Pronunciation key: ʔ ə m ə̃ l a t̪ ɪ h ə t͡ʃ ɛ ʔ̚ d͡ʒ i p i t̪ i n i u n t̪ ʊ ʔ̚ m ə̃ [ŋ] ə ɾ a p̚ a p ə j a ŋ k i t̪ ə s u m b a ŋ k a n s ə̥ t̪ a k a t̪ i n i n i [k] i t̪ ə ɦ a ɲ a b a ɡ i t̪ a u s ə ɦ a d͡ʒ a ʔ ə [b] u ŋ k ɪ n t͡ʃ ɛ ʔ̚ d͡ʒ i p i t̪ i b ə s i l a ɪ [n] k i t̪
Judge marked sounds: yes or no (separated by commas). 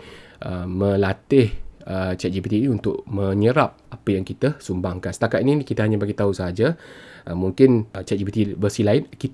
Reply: no, yes, no, yes